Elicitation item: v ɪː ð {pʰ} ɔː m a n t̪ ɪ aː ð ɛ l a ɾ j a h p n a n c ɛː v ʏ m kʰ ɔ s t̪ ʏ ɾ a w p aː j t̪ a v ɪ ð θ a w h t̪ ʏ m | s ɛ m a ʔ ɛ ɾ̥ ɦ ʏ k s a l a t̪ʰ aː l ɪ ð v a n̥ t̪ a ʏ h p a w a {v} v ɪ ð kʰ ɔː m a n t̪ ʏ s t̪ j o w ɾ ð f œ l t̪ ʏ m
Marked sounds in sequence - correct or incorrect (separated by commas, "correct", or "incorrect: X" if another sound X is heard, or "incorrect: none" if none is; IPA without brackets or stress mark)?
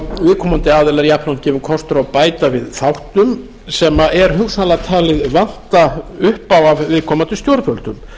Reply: incorrect: kʰ, correct